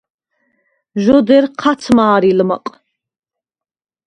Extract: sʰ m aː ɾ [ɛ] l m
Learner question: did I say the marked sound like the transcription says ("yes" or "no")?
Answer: no